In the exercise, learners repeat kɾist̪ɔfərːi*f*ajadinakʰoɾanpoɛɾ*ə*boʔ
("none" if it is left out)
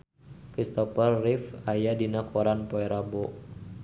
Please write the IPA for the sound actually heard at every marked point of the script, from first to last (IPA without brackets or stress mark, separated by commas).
f, a